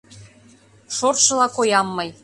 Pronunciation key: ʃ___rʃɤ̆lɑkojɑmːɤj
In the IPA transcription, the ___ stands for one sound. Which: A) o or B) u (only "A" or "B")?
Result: A